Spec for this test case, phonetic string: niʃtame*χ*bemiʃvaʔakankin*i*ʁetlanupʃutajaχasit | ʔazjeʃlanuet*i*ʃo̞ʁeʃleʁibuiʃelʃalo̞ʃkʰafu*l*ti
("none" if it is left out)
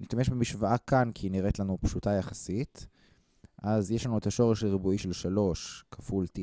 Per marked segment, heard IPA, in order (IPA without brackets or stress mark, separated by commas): ʃ, i, a, l